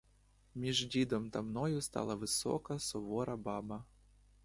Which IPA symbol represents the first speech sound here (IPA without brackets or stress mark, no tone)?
mʲ